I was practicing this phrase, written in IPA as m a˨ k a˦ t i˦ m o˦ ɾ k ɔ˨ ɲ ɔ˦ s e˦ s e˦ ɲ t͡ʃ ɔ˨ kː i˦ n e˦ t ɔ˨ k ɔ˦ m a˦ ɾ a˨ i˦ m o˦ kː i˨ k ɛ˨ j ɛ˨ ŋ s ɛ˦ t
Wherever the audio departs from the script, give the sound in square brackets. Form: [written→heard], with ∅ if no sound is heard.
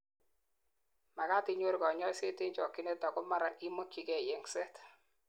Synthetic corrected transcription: m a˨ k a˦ t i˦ [m→ɲ] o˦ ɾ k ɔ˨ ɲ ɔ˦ s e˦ [s→t] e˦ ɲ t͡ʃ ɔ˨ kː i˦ n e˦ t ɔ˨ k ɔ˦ m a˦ ɾ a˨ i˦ m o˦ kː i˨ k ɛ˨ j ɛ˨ ŋ s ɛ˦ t